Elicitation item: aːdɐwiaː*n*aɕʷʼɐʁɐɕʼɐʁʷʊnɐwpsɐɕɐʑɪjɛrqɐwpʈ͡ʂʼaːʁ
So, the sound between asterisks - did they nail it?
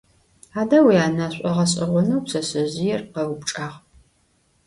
yes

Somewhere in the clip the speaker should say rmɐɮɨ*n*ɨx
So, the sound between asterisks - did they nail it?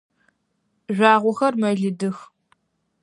no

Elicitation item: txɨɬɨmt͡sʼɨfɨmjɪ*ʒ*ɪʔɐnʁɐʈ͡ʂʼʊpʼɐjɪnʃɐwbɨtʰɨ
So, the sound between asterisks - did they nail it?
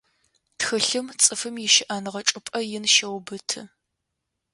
no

